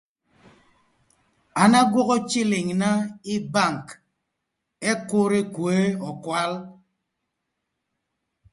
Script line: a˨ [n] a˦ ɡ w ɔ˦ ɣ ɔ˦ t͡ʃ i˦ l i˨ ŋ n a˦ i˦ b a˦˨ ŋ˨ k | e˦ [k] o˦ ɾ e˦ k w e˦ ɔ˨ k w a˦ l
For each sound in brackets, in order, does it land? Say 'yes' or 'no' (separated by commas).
yes, yes